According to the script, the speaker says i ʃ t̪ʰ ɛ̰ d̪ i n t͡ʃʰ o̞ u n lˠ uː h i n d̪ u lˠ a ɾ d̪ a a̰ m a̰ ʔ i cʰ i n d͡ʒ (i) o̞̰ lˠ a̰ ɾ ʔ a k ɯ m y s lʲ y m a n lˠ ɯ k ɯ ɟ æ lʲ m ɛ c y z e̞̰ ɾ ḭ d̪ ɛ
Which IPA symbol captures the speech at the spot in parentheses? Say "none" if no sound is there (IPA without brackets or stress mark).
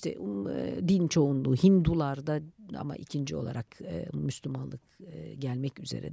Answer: i